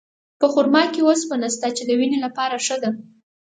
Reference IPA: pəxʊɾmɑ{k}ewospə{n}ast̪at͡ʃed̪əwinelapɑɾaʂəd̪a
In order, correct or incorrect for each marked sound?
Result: correct, correct

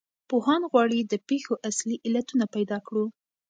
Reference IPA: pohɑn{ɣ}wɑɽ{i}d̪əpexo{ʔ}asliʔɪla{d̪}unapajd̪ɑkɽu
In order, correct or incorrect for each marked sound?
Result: correct, correct, correct, incorrect: t̪

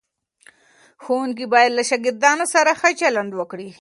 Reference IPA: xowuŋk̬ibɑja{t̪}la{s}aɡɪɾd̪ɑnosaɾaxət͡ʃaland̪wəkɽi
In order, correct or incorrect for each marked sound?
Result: incorrect: d̪, incorrect: ʃ

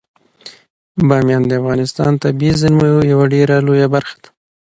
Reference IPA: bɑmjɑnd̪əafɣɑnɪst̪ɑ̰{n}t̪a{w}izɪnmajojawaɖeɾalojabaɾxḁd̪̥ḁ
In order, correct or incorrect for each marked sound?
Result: correct, incorrect: b

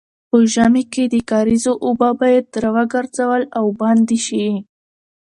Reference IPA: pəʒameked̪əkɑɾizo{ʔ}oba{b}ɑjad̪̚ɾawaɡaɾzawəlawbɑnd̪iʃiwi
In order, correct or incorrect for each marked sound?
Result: correct, correct

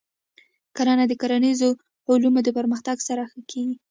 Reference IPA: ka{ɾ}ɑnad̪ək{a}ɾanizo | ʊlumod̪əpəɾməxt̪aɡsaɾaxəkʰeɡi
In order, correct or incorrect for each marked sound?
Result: correct, correct

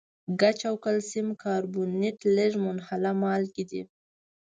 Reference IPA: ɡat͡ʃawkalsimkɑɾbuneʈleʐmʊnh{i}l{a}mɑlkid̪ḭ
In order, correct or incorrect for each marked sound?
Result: incorrect: a, correct

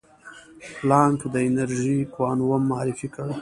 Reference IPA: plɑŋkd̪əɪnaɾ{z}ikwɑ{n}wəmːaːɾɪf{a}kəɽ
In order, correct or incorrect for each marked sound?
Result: incorrect: ʒ, correct, incorrect: i

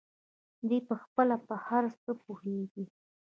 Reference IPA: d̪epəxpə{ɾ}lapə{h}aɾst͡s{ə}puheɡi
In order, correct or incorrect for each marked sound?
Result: incorrect: none, correct, correct

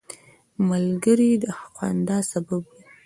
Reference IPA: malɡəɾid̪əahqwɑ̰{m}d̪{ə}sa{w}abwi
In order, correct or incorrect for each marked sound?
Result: incorrect: n, incorrect: ɑ, incorrect: b

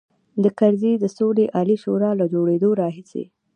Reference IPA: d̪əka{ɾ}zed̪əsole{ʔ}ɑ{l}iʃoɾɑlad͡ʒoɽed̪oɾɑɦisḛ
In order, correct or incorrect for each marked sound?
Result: correct, correct, correct

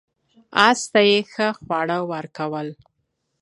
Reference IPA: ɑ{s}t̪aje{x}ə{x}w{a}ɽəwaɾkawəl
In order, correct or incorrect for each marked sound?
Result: correct, correct, correct, incorrect: ɑ

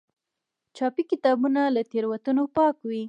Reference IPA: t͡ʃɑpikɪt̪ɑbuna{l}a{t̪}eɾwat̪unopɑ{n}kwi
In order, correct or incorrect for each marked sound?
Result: correct, correct, incorrect: none

